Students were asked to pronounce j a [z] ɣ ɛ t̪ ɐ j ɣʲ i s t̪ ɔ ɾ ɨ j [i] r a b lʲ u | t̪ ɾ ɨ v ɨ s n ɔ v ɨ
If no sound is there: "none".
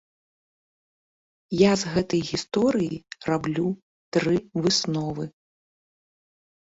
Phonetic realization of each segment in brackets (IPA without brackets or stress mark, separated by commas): z, i